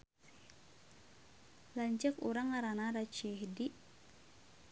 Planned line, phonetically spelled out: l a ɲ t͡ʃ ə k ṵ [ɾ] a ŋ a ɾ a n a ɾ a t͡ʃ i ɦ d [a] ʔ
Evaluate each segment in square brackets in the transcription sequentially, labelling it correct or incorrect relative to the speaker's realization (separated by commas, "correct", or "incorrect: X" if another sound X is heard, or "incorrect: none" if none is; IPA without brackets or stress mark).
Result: correct, incorrect: i